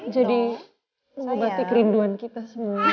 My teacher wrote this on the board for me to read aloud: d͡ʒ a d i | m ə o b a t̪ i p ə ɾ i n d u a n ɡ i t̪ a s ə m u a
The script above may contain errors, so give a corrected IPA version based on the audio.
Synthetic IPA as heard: d͡ʒ a d i | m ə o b a t̪ i k ə ɾ i n d u a n k i t̪ a s ə m u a